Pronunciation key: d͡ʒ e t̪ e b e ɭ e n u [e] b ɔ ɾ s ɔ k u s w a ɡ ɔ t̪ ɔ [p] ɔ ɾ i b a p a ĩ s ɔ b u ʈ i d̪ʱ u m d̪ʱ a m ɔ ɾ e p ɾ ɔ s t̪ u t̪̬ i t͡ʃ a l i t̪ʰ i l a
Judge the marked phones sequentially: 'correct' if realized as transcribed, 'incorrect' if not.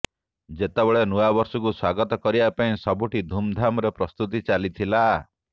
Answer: incorrect, incorrect

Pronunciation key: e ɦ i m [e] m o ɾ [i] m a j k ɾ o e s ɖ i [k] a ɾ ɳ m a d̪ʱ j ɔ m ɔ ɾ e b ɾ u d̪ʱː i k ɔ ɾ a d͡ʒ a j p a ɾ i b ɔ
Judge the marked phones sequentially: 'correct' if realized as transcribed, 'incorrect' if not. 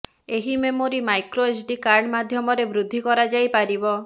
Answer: correct, correct, correct

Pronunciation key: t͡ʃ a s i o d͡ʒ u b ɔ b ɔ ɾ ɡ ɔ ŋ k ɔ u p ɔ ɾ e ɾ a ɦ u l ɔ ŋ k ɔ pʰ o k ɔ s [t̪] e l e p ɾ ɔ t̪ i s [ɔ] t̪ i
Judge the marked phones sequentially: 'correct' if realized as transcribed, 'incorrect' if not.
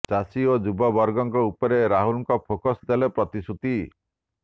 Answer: incorrect, incorrect

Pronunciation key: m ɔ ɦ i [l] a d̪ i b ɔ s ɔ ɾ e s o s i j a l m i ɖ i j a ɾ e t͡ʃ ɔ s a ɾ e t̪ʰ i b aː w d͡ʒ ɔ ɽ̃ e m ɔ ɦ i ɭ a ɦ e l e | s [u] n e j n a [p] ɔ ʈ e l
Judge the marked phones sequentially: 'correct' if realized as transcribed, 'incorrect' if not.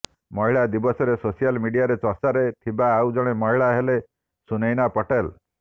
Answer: incorrect, correct, correct

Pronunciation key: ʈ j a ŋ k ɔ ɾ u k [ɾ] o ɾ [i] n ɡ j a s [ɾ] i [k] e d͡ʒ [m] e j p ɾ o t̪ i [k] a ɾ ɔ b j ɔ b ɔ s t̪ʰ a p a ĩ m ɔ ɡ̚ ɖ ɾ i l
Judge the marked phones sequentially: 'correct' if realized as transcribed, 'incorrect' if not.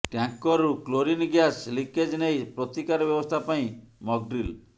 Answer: incorrect, correct, incorrect, correct, incorrect, correct

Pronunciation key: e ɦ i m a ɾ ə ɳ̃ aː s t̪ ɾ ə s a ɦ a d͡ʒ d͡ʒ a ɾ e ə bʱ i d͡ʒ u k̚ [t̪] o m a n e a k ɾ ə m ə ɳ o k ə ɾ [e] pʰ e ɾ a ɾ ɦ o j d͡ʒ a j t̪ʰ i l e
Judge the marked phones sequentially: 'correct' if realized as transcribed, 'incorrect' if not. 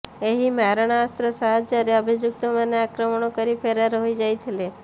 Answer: correct, incorrect

